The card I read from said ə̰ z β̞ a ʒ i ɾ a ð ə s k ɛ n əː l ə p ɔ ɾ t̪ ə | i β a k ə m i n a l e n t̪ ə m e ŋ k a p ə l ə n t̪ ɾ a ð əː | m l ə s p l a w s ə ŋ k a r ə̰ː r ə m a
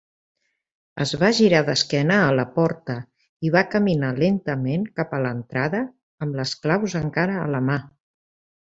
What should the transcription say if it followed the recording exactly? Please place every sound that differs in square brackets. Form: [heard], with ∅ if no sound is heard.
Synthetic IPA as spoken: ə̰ z β̞ a ʒ i ɾ a ð ə s k ɛ n əː l ə p ɔ ɾ t̪ ə | i β a k ə m i n a l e n t̪ ə m e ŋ k a p ə l ə n t̪ ɾ a ð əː | m l ə s [k] l a w [z] ə ŋ k a [ɾ] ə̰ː [l] ə m a